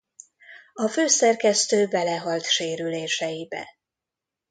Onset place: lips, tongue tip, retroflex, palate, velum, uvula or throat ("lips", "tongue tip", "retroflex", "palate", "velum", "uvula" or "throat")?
lips